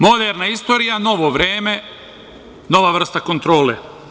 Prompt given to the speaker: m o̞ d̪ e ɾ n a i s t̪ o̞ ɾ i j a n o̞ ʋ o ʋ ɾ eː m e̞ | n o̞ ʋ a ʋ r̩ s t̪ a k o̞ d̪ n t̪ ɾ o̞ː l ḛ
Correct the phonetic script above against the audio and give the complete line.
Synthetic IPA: m o̞ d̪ e ɾ n a i s t̪ o̞ ɾ i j a n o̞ ʋ o ʋ ɾ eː m e̞ | n o̞ ʋ a ʋ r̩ s t̪ a k o̞ n t̪ ɾ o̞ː l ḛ

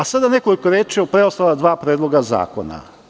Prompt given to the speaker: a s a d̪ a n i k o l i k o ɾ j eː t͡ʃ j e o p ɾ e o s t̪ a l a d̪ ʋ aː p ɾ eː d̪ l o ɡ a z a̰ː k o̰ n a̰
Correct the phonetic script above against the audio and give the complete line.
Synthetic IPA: a s a d̪ a n e k o l i k o ɾ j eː t͡ʃ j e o p ɾ e o s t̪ a l a d̪ ʋ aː p ɾ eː d̪ l o ɡ a z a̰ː k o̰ n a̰

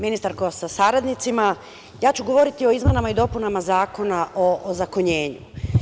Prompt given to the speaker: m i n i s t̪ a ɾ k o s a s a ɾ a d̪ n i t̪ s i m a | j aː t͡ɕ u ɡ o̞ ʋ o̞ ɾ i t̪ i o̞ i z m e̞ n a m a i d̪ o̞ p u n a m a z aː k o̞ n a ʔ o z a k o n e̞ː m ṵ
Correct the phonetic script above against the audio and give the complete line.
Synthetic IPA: m i n i s t̪ a ɾ k o s a s a ɾ a d̪ n i t̪ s i m a | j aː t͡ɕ u ɡ o̞ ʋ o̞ ɾ i t̪ i o̞ i z m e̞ n a m a i d̪ o̞ p u n a m a z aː k o̞ n a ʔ o z a k o ɲ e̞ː ɲ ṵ

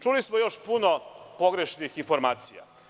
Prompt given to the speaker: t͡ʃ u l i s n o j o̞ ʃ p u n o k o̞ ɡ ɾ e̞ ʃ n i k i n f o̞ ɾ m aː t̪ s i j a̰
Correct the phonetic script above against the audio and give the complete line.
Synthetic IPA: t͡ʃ u l i s m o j o̞ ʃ p u n o p o̞ ɡ ɾ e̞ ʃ n i x i n f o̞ ɾ m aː t̪ s i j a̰

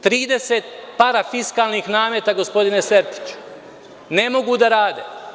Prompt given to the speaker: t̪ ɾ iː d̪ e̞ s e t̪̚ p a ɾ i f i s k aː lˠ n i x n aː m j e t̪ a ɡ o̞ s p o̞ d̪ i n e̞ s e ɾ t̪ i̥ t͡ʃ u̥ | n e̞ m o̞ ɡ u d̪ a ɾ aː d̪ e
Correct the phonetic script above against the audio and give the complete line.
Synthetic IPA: t̪ ɾ iː d̪ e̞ s e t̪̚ p a ɾ a f i s k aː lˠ n i x n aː m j e t̪ a ɡ o̞ s p o̞ d̪ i n e̞ s e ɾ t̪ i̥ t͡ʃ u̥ | n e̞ m o̞ ɡ u d̪ a ɾ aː d̪ e

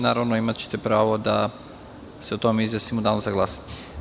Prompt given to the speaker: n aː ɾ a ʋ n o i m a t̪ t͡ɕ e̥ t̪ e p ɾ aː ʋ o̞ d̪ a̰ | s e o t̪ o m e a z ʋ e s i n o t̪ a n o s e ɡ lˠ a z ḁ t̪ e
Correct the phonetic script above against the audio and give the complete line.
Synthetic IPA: n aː ɾ a ʋ n o i m a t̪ t͡ɕ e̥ t̪ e p ɾ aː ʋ o̞ d̪ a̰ | s e o t̪ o m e i z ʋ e s i m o d̪ a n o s a ɡ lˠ a s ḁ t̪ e

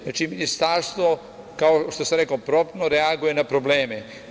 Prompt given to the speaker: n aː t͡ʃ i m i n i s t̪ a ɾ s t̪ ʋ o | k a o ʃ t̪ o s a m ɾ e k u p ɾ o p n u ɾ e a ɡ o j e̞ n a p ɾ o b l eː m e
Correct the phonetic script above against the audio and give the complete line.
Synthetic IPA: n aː t͡ʃ i m i n i s t̪ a ɾ s t̪ ʋ o | k a o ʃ t̪ o s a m ɾ e k o p ɾ o p n o ɾ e a ɡ u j e̞ n a p ɾ o b l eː m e

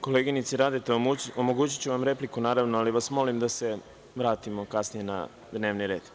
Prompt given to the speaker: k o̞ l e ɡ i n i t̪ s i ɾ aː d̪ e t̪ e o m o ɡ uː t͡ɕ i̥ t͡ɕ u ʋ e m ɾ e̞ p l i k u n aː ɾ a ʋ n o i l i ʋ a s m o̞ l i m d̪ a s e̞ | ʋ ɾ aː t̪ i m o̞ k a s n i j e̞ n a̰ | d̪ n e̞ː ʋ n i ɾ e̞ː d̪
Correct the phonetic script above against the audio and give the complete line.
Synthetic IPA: k o̞ l e ɡ i n i t̪ s i ɾ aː d̪ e t̪ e o m o ɡ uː t͡ɕ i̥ t͡ɕ u ʋ a m ɾ e̞ p l i k u n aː ɾ a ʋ n o a l i ʋ a s m o̞ l i m d̪ a s e̞ | ʋ ɾ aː t̪ i m o̞ k a s n i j e̞ n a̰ | d̪ n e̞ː ʋ n i ɾ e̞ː d̪

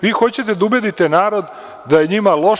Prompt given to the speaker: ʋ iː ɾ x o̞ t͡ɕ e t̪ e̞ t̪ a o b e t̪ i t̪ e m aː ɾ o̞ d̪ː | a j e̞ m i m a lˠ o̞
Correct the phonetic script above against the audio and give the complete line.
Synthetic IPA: ʋ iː x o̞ t͡ɕ e t̪ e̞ d̪ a u b e d̪ i t̪ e n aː ɾ o̞ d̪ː | a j e̞ ɲ i m a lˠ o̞

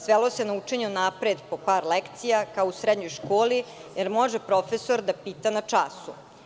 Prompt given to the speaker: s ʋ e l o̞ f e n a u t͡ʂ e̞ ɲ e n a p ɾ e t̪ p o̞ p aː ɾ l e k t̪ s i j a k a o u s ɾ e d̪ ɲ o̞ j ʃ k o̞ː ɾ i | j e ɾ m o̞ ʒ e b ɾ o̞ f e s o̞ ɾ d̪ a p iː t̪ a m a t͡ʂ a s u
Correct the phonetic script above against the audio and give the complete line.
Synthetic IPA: s ʋ e l o̞ s e n a u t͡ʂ e̞ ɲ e n a p ɾ e d̪ p o̞ p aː ɾ l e k t̪ s i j a k a o u s ɾ e d̪ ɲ o̞ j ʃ k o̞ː l i | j e ɾ m o̞ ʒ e p ɾ o̞ f e s o̞ ɾ d̪ a p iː t̪ a n a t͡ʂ a s u

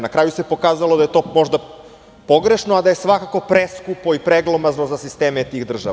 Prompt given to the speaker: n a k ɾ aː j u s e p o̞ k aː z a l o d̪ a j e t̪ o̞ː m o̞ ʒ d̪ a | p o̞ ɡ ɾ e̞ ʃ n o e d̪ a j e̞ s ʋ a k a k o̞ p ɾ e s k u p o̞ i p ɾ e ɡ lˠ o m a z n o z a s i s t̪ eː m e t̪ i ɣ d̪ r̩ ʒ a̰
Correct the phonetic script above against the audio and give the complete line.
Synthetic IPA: n a k ɾ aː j u s e p o̞ k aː z a l o d̪ a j e t̪ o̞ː m o̞ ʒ d̪ a | p o̞ ɡ ɾ e̞ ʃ n o a d̪ a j e̞ s ʋ a k a k o̞ p ɾ e s k u p o̞ i p ɾ e ɡ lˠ o m a z n o z a s i s t̪ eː m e t̪ i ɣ d̪ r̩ ʒ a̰

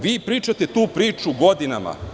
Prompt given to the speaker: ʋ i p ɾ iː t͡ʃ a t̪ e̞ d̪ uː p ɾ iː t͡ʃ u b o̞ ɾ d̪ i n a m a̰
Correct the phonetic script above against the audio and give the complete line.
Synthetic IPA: ʋ iː p ɾ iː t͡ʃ a t̪ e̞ t̪ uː p ɾ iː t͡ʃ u ɡ o̞ d̪ i n a m a̰

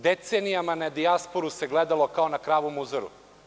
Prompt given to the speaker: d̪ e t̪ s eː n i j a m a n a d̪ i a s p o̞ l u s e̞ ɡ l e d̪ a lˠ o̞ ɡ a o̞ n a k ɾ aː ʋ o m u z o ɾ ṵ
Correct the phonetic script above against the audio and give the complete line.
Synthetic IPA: d̪ e t̪ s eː n i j a m a n a d̪ i a s p o̞ ɾ u s e̞ ɡ l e d̪ a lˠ o̞ k a o̞ n a k ɾ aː ʋ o m u z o ɾ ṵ

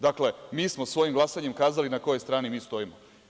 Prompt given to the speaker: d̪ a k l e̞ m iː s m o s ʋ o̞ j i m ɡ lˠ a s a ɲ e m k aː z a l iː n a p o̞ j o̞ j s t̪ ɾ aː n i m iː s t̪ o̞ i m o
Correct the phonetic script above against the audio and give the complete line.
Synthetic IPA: d̪ a k l e̞ m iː s m o s ʋ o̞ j i m ɡ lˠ a s a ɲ e m k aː z a l i n a k o̞ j o̞ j s t̪ ɾ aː n i m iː s t̪ o̞ i m o

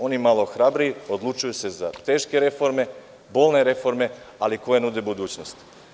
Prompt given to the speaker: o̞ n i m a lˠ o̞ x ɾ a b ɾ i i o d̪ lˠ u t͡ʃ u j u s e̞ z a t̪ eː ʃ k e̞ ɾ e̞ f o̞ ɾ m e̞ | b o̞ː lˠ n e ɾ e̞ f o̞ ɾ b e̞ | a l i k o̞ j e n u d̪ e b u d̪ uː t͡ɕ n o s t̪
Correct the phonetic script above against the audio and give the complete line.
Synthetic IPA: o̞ n i m a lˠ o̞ x ɾ a b ɾ i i o d̪ lˠ u t͡ʃ u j u s e̞ z a t̪ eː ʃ k e̞ ɾ e̞ f o̞ ɾ m e̞ | b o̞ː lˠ n e ɾ e̞ f o̞ ɾ m e̞ | a l i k o̞ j e n u d̪ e b u d̪ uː t͡ɕ n o s t̪

